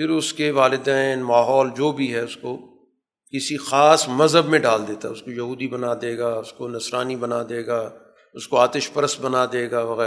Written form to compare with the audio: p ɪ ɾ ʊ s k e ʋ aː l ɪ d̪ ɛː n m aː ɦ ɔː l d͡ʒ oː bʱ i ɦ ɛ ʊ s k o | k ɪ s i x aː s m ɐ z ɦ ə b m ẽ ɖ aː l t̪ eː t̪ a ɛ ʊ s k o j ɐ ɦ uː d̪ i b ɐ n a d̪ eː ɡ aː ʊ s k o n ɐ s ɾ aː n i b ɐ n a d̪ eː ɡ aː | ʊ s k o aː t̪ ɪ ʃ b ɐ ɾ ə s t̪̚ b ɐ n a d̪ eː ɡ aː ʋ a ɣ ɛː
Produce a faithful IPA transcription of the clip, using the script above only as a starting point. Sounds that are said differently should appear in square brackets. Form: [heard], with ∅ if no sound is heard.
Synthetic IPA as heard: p ɪ ɾ ʊ s k e ʋ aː l ɪ d̪ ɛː n m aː ɦ ɔː l d͡ʒ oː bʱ i ɦ ɛ ʊ s k o | k ɪ s i x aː s m ɐ z ɦ ə b m ẽ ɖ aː l [d̪] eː t̪ a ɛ ʊ s k o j ɐ ɦ uː d̪ i b ɐ n a d̪ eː ɡ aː ʊ s k o n ɐ s ɾ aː n i b ɐ n a d̪ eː ɡ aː | ʊ s k o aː t̪ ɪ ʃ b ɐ ɾ ə s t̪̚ b ɐ n a d̪ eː ɡ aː ʋ [ɐ] ɣ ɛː